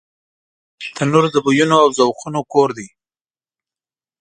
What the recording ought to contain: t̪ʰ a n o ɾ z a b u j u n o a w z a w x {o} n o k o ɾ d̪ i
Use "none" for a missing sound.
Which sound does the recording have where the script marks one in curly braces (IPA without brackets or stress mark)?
u